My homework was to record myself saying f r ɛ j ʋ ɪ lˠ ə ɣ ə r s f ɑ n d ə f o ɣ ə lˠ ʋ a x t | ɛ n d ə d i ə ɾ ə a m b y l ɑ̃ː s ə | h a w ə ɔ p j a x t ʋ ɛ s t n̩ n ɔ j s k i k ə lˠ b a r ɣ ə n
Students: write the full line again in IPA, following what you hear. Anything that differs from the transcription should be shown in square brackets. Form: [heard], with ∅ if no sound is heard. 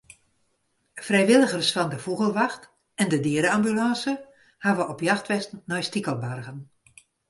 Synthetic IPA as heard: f r ɛ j ʋ ɪ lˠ ə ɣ ə r s f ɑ n d ə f [u] ɣ ə lˠ ʋ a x t | ɛ n d ə d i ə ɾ ə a m b y l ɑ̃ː s ə | h a [ʋ] ə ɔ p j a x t ʋ ɛ s t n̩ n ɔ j s [t] i k ə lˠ b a r ɣ ə n